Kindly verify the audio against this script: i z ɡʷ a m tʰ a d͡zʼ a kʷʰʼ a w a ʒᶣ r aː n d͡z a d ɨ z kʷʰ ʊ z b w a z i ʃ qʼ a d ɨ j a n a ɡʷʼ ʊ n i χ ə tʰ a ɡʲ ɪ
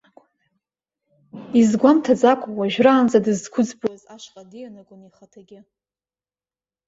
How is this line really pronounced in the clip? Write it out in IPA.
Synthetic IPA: i z ɡʷ a m tʰ a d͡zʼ a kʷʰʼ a w a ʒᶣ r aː n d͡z a d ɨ z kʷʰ ʊ d͡z b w a z a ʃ qʼ a d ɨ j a n a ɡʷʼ ʊ n i χ a tʰ a ɡʲ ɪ